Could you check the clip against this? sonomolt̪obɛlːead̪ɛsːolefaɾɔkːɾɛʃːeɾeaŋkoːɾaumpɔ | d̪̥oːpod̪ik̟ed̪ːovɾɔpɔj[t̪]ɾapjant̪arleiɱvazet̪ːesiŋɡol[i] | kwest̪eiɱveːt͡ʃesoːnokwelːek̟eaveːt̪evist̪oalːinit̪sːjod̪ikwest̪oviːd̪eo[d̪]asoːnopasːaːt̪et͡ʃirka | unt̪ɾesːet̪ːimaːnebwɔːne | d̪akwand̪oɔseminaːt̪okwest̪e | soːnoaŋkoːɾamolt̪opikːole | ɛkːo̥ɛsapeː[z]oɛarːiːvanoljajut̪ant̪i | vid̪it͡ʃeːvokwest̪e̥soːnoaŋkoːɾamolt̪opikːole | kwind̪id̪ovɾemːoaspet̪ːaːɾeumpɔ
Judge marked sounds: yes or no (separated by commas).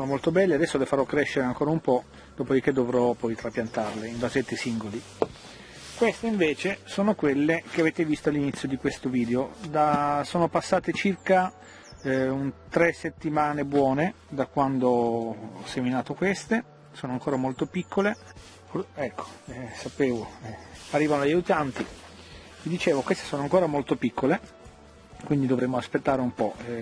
yes, yes, yes, no